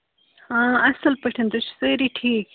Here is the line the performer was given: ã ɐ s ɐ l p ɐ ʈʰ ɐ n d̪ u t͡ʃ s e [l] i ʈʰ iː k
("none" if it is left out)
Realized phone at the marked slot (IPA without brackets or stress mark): ɾ